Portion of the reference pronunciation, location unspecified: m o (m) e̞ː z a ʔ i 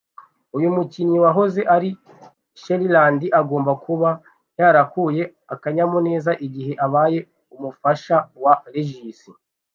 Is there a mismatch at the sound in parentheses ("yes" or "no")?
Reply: yes